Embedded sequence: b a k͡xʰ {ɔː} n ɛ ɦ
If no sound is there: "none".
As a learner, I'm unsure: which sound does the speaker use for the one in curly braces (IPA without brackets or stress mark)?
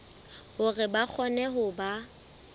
ɔ